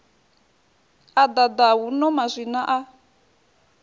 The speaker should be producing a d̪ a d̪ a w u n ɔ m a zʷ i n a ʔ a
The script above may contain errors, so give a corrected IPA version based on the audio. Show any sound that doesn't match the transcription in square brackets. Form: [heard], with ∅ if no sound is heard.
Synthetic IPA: a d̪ a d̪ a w u n ɔ m a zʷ i n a ʔ a